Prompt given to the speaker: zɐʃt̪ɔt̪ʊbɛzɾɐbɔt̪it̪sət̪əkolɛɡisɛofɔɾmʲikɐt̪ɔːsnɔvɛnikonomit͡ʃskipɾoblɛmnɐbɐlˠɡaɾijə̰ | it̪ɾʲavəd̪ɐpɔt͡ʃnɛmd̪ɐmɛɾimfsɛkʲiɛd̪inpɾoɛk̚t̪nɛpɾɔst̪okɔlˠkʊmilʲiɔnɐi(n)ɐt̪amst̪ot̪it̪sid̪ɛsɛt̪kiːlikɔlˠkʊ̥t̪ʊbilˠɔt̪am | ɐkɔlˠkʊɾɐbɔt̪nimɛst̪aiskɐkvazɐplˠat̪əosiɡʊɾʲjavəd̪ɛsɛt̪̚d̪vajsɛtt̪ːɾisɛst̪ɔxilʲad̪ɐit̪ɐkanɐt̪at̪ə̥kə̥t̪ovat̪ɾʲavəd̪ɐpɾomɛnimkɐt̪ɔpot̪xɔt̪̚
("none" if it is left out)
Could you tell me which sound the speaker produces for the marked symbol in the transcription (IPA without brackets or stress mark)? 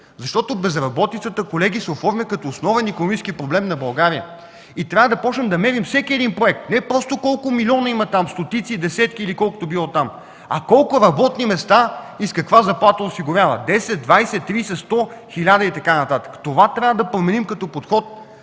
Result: m